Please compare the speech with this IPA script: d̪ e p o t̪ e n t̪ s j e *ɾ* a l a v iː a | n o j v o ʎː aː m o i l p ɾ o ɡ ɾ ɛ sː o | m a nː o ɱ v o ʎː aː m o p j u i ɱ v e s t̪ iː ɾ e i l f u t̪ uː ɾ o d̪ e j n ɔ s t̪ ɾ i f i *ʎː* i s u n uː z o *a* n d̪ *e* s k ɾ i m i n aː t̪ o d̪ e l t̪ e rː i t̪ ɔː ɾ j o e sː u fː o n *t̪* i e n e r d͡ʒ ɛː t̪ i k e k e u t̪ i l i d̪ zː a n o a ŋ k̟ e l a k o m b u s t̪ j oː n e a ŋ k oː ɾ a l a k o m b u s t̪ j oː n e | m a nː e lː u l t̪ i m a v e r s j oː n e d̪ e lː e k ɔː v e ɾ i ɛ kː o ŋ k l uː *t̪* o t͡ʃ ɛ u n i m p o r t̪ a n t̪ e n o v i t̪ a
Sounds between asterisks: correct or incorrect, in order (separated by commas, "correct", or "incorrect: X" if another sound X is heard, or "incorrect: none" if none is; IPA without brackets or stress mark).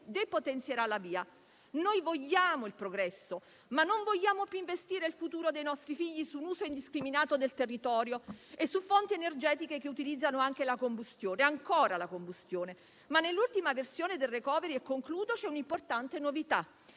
correct, correct, incorrect: i, incorrect: i, correct, incorrect: d̪